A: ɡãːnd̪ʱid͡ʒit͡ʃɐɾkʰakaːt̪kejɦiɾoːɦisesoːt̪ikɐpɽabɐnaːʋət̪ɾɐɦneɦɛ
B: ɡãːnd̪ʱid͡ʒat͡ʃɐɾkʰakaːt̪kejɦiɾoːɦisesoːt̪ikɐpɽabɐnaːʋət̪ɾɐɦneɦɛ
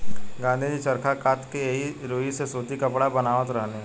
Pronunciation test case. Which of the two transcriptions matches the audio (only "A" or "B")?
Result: A